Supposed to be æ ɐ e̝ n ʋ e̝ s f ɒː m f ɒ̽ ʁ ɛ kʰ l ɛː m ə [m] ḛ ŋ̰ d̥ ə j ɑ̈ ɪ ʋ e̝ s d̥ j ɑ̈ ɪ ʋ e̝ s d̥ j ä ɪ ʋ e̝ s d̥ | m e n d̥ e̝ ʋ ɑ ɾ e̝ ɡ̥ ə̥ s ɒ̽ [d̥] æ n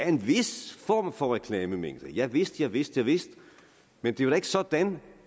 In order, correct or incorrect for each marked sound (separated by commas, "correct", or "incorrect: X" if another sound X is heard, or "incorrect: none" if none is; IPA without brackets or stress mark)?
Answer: correct, correct